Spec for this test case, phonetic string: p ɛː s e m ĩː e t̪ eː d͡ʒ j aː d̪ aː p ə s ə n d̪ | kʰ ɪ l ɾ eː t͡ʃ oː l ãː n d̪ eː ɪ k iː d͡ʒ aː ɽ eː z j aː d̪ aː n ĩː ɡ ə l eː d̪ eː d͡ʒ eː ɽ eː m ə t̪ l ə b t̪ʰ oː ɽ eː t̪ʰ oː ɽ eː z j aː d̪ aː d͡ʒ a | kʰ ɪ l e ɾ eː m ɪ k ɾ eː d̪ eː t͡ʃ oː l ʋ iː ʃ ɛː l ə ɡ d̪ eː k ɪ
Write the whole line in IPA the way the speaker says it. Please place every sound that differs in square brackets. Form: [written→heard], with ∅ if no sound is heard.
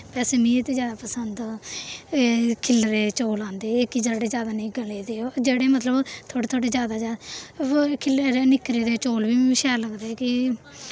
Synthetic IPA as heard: p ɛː s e m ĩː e t̪ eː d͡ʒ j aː d̪ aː p ə s ə n d̪ | kʰ ɪ l ɾ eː t͡ʃ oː l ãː n d̪ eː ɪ k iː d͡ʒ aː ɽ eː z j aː d̪ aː n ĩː ɡ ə l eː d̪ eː d͡ʒ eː ɽ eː m ə t̪ l ə b t̪ʰ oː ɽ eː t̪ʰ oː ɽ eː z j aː d̪ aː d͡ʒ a | kʰ ɪ l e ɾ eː [m→n] ɪ k ɾ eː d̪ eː t͡ʃ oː l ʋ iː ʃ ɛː l ə ɡ d̪ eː k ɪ